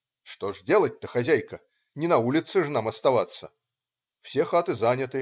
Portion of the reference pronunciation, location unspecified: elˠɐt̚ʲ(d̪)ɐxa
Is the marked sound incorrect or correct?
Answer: incorrect: t̪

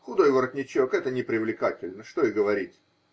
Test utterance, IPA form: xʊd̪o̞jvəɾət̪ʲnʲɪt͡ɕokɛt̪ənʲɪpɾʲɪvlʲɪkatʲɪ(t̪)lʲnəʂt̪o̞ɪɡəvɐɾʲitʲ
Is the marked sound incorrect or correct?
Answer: incorrect: none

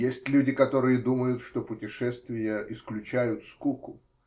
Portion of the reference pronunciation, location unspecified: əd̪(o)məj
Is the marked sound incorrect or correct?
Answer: incorrect: u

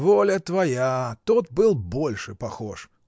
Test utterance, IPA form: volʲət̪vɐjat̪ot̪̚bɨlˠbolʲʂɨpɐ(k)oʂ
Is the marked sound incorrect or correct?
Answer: incorrect: x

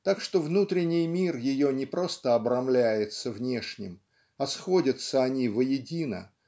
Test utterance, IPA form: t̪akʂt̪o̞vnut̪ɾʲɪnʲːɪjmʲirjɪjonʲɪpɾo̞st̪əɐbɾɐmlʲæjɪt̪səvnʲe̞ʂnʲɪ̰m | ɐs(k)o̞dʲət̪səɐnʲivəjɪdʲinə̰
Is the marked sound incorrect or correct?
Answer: incorrect: x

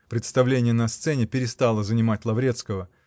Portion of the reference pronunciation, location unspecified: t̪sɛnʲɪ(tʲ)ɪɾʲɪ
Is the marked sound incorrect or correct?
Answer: incorrect: pʲ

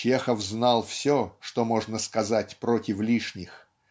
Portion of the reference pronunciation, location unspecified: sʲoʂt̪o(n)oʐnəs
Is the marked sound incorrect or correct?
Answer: incorrect: m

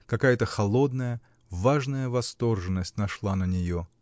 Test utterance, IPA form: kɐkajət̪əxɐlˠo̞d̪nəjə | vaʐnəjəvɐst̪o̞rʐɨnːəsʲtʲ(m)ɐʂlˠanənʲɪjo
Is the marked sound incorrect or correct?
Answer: incorrect: n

